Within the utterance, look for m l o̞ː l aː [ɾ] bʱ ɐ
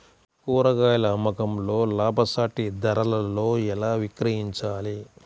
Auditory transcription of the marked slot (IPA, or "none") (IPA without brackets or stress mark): none